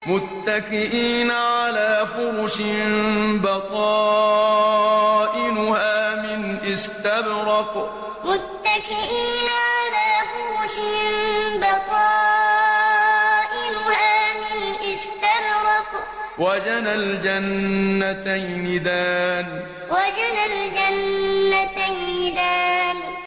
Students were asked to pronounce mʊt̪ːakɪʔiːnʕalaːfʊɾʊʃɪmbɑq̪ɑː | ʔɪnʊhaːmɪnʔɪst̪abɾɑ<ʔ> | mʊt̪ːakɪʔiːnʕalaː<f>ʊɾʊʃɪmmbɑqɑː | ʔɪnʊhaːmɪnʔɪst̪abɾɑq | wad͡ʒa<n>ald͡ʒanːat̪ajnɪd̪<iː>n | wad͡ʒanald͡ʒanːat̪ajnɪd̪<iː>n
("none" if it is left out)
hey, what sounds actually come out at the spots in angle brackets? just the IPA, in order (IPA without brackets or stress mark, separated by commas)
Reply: q, f, n, aː, aː